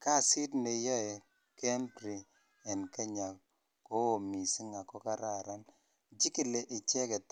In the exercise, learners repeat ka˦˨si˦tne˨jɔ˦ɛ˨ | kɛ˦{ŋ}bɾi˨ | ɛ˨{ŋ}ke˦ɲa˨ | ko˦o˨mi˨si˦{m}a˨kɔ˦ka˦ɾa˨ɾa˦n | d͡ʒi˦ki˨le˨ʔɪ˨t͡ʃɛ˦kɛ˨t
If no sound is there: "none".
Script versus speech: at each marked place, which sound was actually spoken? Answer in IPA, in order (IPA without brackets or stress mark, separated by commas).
m, n, ŋ